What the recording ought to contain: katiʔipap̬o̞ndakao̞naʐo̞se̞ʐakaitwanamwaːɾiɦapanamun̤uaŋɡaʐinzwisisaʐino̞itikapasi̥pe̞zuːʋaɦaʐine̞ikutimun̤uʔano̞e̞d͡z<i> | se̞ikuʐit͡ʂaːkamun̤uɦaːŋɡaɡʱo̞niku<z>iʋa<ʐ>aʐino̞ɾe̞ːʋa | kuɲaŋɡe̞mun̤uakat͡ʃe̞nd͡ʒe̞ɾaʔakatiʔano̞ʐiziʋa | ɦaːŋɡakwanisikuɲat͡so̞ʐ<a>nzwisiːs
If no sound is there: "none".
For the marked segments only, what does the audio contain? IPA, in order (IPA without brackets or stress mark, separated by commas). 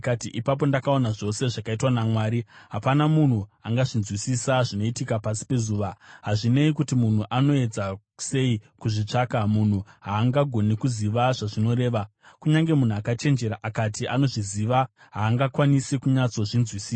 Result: a, z, ʐ, i